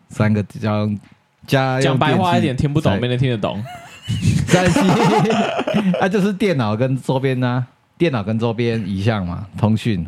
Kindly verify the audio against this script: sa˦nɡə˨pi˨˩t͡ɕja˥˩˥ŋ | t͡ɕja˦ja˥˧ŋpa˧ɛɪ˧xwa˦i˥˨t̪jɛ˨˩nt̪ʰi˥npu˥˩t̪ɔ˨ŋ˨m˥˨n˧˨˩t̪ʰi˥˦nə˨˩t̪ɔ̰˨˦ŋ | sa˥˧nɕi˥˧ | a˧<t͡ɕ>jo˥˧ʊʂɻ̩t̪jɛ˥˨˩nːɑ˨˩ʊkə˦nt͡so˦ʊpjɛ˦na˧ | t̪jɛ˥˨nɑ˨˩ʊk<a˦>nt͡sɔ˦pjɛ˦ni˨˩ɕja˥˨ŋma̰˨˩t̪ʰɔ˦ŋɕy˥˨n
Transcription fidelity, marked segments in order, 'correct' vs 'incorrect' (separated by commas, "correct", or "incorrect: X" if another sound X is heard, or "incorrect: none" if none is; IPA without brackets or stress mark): correct, incorrect: ə˦